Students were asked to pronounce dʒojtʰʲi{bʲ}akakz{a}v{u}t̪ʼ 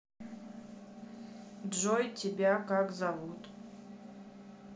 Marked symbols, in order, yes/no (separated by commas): yes, yes, yes